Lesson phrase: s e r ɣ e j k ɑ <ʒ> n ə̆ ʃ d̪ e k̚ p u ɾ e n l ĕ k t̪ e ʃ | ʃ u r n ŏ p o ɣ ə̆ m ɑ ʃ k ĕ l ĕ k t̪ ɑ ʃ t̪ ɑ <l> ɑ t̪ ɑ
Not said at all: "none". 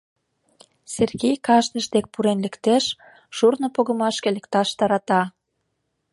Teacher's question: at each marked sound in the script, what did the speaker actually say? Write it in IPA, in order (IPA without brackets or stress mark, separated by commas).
ʃ, ɾ